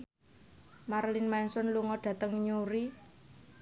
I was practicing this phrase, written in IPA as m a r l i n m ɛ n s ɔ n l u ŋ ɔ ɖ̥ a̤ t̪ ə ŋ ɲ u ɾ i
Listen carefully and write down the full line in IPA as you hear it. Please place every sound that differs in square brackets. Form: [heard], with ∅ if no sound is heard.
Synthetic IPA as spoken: m a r l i n m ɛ n s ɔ n l u ŋ ɔ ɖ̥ a̤ t̪ ə ŋ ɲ u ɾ i